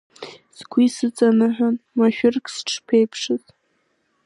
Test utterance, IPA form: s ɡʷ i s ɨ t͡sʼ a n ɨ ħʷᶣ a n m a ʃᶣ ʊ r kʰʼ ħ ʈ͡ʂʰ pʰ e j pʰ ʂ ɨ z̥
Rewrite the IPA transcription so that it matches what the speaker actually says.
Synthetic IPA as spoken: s ɡʷ i s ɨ t͡sʼ a n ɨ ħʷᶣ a n m a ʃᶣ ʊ r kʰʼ s ʈ͡ʂʰ pʰ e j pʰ ʂ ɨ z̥